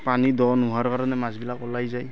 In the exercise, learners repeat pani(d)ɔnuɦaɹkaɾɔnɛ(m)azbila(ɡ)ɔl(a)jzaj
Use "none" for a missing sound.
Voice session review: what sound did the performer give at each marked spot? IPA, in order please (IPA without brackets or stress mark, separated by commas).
d, m, k, a